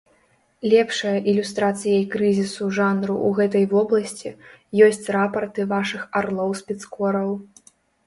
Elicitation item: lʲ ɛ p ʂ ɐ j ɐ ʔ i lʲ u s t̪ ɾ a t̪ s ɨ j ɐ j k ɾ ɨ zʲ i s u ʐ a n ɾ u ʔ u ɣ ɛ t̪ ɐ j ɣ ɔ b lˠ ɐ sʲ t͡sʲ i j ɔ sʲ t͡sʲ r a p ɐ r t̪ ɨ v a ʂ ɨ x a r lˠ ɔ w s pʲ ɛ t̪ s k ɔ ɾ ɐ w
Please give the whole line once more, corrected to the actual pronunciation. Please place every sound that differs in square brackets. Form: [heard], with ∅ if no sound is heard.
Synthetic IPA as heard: lʲ ɛ p ʂ ɐ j ɐ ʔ i lʲ u s t̪ ɾ a t̪ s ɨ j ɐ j k ɾ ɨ zʲ i s u ʐ a n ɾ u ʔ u ɣ ɛ t̪ ɐ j [v] ɔ b lˠ ɐ sʲ t͡sʲ i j ɔ sʲ t͡sʲ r a p ɐ r t̪ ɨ v a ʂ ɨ x a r lˠ ɔ w s pʲ ɛ t̪ s k ɔ ɾ ɐ w